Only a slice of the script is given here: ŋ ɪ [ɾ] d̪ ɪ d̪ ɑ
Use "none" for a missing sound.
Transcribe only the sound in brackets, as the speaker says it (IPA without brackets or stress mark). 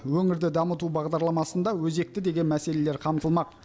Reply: ɾ